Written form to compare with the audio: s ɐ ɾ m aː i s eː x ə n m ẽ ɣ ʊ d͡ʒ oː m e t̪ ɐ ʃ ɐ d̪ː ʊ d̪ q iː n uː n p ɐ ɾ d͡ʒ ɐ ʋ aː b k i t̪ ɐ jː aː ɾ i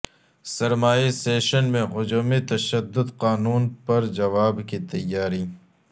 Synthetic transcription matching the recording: s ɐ ɾ m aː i s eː ʃ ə n m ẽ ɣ ʊ d͡ʒ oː m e t̪ ɐ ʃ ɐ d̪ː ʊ d̪ q aː n uː n p ɐ ɾ d͡ʒ ɐ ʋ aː b k i t̪ ɐ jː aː ɾ i